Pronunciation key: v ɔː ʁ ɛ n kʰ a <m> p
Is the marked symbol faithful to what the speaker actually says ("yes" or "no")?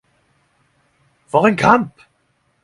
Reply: yes